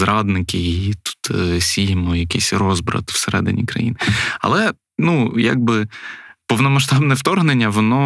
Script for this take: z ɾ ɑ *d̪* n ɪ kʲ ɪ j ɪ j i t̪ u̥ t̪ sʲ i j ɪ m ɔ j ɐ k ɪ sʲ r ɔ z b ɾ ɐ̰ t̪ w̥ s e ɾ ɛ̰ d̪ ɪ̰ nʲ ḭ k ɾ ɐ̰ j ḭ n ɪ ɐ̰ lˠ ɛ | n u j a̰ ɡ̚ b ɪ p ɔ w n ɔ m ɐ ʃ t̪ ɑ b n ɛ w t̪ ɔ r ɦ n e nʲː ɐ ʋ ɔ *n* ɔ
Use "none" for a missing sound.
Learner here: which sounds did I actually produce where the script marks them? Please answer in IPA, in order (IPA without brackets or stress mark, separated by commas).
d̪, n